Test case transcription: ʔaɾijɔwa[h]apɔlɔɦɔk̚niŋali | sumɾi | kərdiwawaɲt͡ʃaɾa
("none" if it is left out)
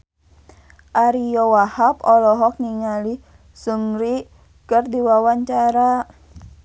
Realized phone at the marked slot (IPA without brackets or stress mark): h